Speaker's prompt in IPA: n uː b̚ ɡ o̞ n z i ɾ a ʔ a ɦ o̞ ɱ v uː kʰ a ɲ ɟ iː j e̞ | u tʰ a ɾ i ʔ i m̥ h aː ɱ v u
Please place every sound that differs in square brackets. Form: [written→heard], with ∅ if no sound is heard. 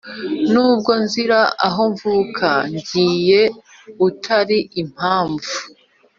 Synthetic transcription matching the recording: n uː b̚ ɡ o̞ n z i ɾ a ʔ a ɦ o̞ ɱ v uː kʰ a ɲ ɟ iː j e̞ | u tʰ a ɾ i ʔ i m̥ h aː ɱ v u